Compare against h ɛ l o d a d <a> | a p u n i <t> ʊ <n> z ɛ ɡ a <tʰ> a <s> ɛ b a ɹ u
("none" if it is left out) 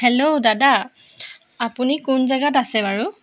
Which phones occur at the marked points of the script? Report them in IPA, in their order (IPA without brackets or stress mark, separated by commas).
a, k, n, t, s